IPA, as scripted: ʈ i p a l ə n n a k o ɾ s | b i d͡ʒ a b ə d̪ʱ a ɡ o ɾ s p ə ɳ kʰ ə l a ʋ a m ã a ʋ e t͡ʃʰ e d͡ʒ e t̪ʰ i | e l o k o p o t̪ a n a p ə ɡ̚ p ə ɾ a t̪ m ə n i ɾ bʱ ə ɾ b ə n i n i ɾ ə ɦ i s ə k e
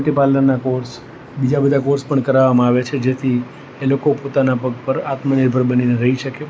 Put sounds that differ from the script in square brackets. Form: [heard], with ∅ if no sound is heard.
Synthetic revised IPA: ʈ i p a l ə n n a k o ɾ s | b i d͡ʒ a b ə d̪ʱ a [k] o ɾ s p ə ɳ [k] ə [ɾ] a ʋ a m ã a ʋ e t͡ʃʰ e d͡ʒ e t̪ʰ i | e l o k o p o t̪ a n a p ə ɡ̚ p ə ɾ a t̪ m ə n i ɾ bʱ ə ɾ b ə n i n [e] ɾ ə ɦ i [ʃ] ə k e